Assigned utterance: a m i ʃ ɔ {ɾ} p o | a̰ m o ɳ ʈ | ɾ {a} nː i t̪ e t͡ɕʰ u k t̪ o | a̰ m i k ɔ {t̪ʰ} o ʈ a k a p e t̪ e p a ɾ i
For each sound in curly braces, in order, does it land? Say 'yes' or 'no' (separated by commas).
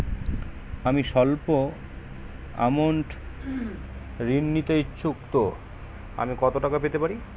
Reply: no, no, no